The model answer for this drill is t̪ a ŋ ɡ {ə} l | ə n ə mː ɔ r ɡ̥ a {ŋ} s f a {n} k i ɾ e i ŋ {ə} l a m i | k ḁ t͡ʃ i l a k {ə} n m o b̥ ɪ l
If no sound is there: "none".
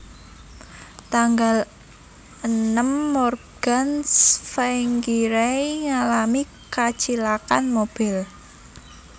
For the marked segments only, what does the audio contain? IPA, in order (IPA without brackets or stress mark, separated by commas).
a, n, ŋ, a, a